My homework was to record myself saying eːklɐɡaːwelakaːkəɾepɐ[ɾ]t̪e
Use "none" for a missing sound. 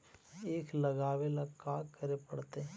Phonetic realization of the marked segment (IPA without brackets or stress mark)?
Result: ɽ